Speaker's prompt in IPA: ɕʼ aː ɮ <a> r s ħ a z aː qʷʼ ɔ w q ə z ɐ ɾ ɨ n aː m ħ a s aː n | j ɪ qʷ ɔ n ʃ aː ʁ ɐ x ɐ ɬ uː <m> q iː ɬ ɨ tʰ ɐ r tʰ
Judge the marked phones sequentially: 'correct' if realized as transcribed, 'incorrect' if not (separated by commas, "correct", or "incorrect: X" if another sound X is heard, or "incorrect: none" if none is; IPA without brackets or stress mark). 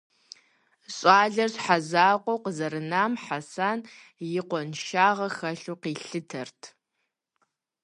incorrect: ɐ, incorrect: none